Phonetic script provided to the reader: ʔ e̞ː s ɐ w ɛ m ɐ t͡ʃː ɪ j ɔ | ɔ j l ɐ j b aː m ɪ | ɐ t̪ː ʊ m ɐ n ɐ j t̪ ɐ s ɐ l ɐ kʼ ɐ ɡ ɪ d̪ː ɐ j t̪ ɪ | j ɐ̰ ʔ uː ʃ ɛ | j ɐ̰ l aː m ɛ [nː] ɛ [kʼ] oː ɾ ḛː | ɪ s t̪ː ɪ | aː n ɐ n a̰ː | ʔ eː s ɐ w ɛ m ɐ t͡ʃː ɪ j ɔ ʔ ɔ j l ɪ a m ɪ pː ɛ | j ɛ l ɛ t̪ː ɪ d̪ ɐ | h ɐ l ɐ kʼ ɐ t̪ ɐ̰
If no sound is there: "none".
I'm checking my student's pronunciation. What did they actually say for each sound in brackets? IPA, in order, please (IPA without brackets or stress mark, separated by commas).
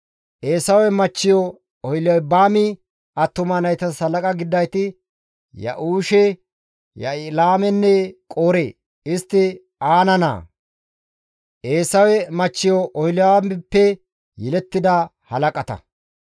nː, kʼ